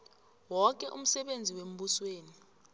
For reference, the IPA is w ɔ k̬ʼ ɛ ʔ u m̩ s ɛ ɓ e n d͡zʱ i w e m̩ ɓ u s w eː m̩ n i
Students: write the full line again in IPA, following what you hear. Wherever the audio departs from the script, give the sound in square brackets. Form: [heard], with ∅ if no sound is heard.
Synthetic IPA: w ɔ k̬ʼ ɛ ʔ u m̩ s ɛ ɓ e n d͡zʱ i w e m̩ ɓ u s w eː [∅] n i

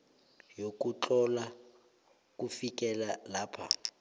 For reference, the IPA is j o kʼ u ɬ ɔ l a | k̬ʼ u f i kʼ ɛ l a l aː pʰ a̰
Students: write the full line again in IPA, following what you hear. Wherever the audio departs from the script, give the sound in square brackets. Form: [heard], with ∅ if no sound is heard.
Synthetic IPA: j o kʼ u [t͡ɬ] ɔ l a | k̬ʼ u f i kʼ ɛ l a l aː pʰ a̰

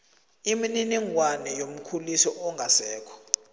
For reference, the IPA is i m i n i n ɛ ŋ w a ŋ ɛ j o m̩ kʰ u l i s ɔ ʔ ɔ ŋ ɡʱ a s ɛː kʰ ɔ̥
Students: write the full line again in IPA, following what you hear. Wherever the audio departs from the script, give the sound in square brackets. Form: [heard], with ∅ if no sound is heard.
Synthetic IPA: i m i n i n [i] ŋ w a [n] ɛ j o m̩ kʰ u l i s ɔ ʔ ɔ ŋ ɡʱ a s ɛː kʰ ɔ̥

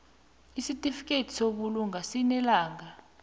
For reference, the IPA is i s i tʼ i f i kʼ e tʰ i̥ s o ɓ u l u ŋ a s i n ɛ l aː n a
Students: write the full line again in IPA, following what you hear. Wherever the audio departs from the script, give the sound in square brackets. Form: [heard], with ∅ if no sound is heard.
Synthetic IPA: i s i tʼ i f i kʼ e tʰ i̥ s o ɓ u l u ŋ a s i n ɛ l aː [ŋ] a

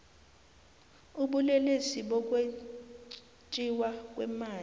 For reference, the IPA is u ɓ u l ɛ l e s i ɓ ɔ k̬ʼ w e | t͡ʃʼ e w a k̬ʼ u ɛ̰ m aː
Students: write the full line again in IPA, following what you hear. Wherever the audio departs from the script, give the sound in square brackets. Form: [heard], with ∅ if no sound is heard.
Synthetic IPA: u ɓ u l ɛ l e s i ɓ ɔ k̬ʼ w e | t͡ʃʼ [i] w a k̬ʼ [w] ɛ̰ m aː

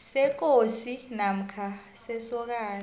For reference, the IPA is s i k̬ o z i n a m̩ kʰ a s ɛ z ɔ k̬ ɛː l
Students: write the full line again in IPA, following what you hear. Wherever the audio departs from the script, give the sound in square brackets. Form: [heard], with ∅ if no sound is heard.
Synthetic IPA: s [ɛ] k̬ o [s] i n a m̩ kʰ a s ɛ [s] ɔ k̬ [aː] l

